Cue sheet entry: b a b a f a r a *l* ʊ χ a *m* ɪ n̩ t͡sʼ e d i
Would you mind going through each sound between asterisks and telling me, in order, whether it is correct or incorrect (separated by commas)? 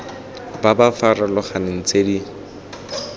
correct, incorrect